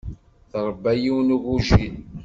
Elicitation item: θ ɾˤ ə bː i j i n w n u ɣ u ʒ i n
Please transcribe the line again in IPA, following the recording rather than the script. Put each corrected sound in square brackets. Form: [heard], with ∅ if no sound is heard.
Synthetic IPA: θ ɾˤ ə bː [æ] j i [∅] w n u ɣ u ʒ i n